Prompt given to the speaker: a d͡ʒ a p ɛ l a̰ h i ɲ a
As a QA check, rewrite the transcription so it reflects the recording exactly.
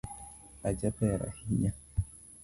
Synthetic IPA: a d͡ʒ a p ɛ ɾ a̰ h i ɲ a